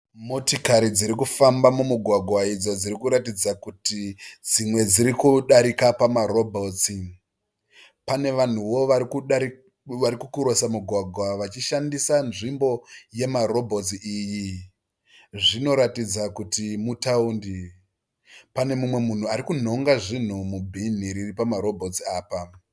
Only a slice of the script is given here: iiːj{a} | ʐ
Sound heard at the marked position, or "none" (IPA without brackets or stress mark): i